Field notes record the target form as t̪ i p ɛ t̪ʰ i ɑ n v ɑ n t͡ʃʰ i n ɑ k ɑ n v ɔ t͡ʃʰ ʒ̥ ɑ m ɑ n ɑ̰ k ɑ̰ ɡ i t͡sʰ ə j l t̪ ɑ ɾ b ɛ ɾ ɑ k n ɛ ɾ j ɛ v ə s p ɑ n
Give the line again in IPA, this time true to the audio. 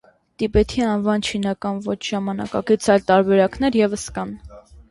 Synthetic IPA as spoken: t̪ i p ɛ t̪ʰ i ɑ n v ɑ n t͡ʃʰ i n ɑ k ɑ n v ɔ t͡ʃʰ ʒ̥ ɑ m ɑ n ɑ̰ k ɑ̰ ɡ i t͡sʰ ɑ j l t̪ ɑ ɾ b ɛ ɾ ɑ k n ɛ ɾ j ɛ v ə s k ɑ n